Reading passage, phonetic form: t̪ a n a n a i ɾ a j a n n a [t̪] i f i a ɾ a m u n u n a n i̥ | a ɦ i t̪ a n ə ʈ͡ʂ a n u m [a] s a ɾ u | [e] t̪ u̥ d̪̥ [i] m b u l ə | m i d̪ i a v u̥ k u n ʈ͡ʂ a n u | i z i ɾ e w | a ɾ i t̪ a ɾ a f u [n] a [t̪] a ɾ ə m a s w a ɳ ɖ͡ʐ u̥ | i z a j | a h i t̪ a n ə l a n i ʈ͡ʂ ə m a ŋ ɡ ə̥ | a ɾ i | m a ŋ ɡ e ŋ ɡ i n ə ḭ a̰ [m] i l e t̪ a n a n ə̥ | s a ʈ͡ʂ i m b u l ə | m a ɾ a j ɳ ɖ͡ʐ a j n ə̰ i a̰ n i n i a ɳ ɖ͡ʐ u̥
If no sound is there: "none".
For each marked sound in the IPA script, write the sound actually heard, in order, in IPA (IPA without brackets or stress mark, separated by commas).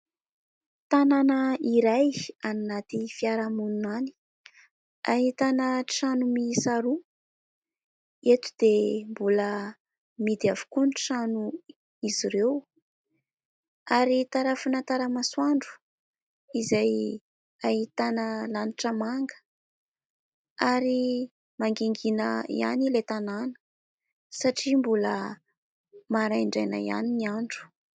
t̪, i, e, e, n, t̪, n